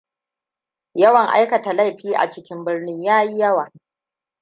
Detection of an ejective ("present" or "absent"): absent